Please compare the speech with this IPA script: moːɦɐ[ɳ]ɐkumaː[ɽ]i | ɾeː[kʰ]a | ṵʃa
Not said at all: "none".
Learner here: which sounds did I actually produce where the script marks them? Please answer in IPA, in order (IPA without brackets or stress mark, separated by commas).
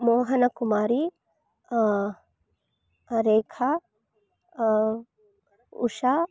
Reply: n, ɾ, kʰ